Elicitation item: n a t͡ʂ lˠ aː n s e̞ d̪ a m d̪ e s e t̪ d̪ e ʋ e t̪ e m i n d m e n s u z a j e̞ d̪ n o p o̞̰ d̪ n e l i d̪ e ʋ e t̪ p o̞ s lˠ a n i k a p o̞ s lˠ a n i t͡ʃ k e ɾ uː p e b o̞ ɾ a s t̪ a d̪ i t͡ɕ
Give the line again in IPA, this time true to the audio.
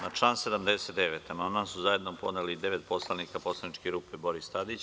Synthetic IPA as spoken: n a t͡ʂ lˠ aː n s e̞ d̪ a m d̪ e s e t̪ d̪ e ʋ e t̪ a m a n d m a n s u z a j e̞ d̪ n o p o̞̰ d̪ n e l i d̪ e ʋ e t̪ p o̞ s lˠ a n i k a p o̞ s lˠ a n i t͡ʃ k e ɾ uː p e b o̞ ɾ i s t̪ a d̪ i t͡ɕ